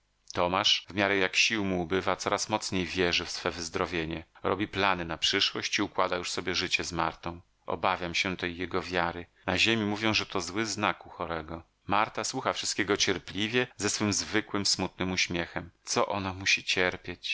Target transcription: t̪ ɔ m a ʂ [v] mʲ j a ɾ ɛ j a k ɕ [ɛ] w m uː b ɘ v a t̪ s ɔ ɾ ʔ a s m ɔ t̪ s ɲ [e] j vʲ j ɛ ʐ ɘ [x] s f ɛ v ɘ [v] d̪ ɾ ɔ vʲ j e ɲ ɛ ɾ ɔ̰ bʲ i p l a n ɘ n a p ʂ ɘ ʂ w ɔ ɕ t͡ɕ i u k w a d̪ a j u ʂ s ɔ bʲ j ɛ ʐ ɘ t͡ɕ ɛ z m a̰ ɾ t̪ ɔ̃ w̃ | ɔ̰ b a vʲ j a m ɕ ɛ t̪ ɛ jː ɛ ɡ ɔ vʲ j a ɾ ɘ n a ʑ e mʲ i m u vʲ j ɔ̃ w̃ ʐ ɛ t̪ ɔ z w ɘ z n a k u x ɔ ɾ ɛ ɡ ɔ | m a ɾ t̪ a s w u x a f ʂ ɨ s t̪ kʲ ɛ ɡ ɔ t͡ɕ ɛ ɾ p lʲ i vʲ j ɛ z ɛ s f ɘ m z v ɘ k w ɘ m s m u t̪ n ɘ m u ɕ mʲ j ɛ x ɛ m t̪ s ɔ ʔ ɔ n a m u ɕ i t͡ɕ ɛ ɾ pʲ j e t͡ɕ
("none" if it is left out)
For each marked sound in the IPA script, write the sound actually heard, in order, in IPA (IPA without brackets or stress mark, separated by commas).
v, i, e, f, z